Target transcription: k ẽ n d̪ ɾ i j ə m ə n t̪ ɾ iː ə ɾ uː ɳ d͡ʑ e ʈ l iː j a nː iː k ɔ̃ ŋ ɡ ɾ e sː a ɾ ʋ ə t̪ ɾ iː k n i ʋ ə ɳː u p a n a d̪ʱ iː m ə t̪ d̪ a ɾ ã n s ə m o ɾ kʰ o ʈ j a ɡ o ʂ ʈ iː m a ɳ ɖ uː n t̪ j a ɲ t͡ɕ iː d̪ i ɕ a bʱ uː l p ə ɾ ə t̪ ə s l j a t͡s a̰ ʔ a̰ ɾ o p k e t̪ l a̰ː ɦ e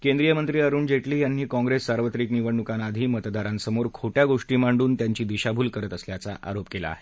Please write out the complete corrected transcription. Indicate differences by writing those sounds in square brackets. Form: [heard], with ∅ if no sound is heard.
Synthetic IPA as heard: k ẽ n d̪ ɾ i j ə m ə n t̪ ɾ iː ə ɾ uː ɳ d͡ʑ e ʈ l iː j a nː iː k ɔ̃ ŋ ɡ ɾ e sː a ɾ ʋ ə t̪ ɾ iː k n i ʋ ə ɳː u [k] a n a d̪ʱ iː m ə t̪ d̪ a ɾ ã n s ə m o ɾ kʰ o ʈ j a ɡ o ʂ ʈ iː m a ɳ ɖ uː n t̪ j a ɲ t͡ɕ iː d̪ i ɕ a bʱ uː l [k] ə ɾ ə t̪ ə s l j a t͡s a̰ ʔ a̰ ɾ o p k e [∅] l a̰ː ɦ e

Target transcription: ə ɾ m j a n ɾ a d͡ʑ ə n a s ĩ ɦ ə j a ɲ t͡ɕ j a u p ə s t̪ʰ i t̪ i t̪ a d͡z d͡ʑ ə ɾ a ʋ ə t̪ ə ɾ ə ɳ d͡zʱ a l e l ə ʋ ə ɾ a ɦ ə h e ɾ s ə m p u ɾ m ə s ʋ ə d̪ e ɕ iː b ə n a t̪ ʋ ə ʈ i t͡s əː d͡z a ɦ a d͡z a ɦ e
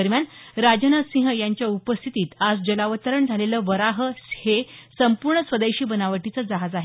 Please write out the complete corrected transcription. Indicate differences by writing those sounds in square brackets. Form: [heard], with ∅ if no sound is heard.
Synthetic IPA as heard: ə ɾ m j a n ɾ a d͡ʑ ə n a s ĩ ɦ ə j a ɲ t͡ɕ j a u p ə s t̪ʰ i t̪ [iː] t̪ a d͡z d͡ʑ ə [l] a ʋ ə t̪ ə ɾ ə ɳ d͡zʱ a l e l ə ʋ ə ɾ a ɦ ə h e [∅] s ə m p u ɾ [ɳ] ə s ʋ ə d̪ e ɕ iː b ə n a [∅] ʋ ə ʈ i t͡s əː d͡z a ɦ a d͡z a ɦ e

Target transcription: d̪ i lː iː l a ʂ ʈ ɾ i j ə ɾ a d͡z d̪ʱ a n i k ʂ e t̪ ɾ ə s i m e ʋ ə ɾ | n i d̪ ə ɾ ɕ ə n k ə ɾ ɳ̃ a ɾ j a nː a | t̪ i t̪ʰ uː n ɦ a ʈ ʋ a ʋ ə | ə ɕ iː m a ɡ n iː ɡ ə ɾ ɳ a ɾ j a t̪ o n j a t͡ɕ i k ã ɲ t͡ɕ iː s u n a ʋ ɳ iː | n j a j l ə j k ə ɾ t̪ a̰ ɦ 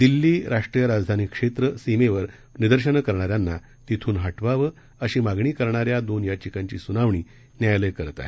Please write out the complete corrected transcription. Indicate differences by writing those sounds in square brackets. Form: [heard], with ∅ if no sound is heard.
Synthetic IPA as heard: d̪ i lː iː [ɾ] a ʂ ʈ ɾ i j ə ɾ a d͡z d̪ʱ a n i k ʂ e t̪ ɾ ə s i m e ʋ ə ɾ | n i d̪ ə ɾ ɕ ə n k ə ɾ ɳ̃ a ɾ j a nː a | t̪ i t̪ʰ uː n ɦ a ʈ ʋ a ʋ ə | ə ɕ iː m a ɡ [ɳ] iː [k] ə ɾ ɳ a ɾ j a [d̪] o n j a t͡ɕ i k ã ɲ t͡ɕ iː s u n a ʋ ɳ iː | n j a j l ə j k ə ɾ t̪ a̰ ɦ

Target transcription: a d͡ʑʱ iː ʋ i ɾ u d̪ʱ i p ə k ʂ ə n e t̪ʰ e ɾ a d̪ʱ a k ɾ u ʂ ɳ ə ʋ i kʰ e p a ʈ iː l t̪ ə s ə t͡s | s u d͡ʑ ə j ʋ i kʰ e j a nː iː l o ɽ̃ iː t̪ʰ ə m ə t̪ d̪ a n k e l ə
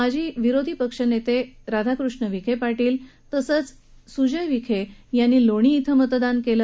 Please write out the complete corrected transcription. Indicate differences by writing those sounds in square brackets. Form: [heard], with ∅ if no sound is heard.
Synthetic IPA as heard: a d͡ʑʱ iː ʋ i ɾ [o] d̪ʱ i p ə k ʂ ə n e [t̪] e ɾ a d̪ʱ a k ɾ u ʂ ɳ ə ʋ i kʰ e p a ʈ iː l t̪ ə s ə t͡s | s u d͡ʑ ə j ʋ i kʰ e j a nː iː l o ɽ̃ iː t̪ʰ ə m ə t̪ d̪ a n k e l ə

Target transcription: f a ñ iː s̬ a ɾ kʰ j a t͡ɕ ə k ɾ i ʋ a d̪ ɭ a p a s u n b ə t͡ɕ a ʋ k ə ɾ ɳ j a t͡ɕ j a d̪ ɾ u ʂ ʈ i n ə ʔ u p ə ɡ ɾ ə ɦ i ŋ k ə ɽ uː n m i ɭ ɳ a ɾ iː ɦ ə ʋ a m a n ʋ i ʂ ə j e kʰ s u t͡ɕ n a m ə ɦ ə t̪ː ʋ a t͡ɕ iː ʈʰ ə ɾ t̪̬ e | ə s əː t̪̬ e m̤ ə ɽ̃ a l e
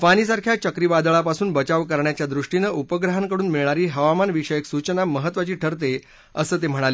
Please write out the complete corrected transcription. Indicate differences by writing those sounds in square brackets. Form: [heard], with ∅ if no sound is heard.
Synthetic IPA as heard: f a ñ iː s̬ a ɾ kʰ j a t͡ɕ ə k ɾ i ʋ a d̪ ɭ a p a s [uː] n b ə t͡ɕ a ʋ k ə ɾ ɳ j a t͡ɕ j a d̪ ɾ u ʂ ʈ i n ə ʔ u p ə ɡ ɾ ə ɦ [a] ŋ k ə ɽ uː n m i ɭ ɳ a ɾ iː ɦ ə ʋ a m a n ʋ i ʂ ə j e [k] s u t͡ɕ n a m ə ɦ ə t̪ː ʋ a t͡ɕ iː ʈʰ ə ɾ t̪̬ e | ə s əː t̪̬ e m̤ ə ɽ̃ a l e

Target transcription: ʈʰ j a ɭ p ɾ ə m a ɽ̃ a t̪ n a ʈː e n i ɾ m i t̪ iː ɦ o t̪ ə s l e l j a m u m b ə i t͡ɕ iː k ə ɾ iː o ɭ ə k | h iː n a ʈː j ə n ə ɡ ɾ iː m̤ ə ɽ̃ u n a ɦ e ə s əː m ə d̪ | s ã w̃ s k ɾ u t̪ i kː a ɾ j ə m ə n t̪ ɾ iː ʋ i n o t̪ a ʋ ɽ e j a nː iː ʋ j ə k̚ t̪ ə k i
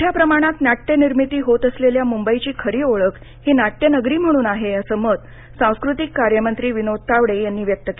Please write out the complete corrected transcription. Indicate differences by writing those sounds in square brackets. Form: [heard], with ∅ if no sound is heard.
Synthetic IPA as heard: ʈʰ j a [∅] p ɾ ə m a ɽ̃ a t̪ n a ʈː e n i ɾ m i t̪ iː ɦ o t̪ ə s l e l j a m u m b ə i t͡ɕ iː [kʰ] ə ɾ iː o ɭ ə k | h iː n a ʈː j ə n ə ɡ ɾ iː m̤ ə ɽ̃ [uː] n a ɦ e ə s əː m ə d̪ | s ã w̃ s k ɾ u t̪ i kː a ɾ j ə m ə n t̪ ɾ iː ʋ i n o t̪ a ʋ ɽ e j a nː iː ʋ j ə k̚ t̪ ə k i

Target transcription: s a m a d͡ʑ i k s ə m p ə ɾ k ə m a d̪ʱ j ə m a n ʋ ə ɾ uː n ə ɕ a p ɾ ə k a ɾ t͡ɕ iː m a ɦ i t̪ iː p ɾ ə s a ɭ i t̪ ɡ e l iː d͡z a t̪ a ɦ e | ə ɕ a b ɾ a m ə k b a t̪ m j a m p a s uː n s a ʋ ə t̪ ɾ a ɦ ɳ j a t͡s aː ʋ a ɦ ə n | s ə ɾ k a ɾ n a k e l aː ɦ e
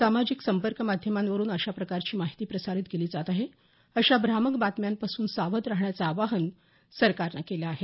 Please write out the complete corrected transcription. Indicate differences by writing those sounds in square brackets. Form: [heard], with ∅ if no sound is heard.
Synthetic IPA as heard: s a m a d͡ʑ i k s ə m p ə ɾ k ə m a d̪ʱ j ə m a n ʋ ə ɾ uː n ə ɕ a p ɾ ə k a ɾ t͡ɕ iː m a ɦ i t̪ iː p ɾ ə s a [ɾ] i t̪ ɡ e l iː d͡z a t̪ a ɦ e | ə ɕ a b ɾ a m ə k b a t̪ m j a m p a s uː n s a ʋ ə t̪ ɾ a ɦ ɳ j a t͡s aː ʋ a ɦ ə n | s ə ɾ k a ɾ n a k e l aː ɦ e

